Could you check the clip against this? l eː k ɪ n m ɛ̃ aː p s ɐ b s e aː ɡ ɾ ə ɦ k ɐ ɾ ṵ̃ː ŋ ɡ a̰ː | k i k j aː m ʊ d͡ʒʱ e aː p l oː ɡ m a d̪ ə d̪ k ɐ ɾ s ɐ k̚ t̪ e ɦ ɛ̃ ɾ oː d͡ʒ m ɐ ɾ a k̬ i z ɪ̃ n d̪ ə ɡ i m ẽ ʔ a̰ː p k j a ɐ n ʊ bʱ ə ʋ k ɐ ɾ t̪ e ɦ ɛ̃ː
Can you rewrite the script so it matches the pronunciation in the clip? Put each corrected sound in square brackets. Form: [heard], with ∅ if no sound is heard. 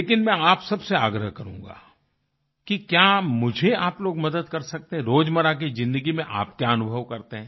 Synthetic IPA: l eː k ɪ n m ɛ̃ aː p s ɐ b s e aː ɡ ɾ ə ɦ k ɐ ɾ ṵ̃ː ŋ ɡ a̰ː | k i k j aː m ʊ d͡ʒʱ e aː p l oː ɡ m [ɐ] d̪ ə d̪ k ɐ ɾ s ɐ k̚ t̪ e ɦ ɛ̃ ɾ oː d͡ʒ m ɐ ɾ a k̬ i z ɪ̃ n d̪ ə ɡ i m ẽ ʔ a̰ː p k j a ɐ n ʊ bʱ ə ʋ k ɐ ɾ t̪ e ɦ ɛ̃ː